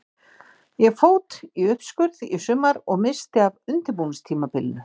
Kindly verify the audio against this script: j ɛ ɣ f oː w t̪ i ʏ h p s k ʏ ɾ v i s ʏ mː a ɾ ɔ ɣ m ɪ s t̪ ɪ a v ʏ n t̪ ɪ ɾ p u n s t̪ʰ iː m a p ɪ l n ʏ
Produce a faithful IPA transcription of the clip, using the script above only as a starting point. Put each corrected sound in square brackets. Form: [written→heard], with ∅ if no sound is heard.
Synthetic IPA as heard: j ɛ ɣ f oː w t̪ i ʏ h p s k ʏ ɾ [v→ð] i s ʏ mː a ɾ ɔ ɣ m ɪ s t̪ ɪ a v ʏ n t̪ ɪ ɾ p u n s t̪ʰ iː m a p ɪ l n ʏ